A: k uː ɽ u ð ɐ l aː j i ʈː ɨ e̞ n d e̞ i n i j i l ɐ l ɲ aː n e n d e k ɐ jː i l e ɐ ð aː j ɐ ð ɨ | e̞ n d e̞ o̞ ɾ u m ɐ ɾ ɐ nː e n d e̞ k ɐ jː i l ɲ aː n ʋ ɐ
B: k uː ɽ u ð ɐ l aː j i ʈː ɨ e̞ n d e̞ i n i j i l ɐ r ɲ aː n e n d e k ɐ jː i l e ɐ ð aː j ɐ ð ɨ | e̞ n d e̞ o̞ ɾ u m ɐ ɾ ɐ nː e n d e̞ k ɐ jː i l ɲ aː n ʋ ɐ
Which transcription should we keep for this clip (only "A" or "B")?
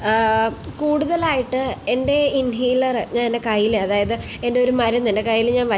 B